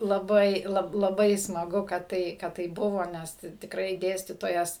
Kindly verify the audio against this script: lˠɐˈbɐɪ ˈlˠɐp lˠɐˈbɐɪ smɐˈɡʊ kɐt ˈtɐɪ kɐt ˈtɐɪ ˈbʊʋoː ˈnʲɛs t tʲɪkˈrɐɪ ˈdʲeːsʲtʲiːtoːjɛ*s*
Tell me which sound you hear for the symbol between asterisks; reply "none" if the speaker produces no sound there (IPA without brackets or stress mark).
s